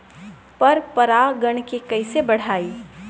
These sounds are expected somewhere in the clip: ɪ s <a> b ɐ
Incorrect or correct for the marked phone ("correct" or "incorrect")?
incorrect